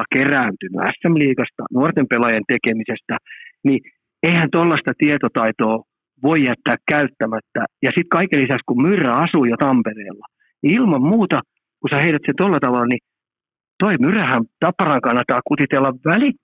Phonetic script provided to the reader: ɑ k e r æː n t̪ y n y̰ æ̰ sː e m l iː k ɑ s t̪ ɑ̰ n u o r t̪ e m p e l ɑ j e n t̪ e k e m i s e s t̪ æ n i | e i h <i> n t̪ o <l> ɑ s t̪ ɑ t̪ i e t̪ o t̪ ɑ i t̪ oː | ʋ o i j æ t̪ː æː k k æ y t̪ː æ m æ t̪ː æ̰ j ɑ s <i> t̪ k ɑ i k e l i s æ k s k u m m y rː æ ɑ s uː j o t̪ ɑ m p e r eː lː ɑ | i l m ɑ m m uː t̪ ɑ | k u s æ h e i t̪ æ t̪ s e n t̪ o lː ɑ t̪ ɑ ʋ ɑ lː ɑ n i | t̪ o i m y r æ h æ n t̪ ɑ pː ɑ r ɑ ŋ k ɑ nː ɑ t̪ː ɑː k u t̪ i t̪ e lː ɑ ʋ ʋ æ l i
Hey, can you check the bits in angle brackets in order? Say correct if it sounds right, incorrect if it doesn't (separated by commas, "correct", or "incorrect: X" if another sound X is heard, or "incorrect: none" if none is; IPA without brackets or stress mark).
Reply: incorrect: æ, incorrect: lː, correct